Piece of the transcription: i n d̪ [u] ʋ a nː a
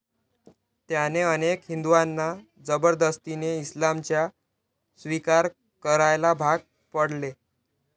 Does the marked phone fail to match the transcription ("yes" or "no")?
no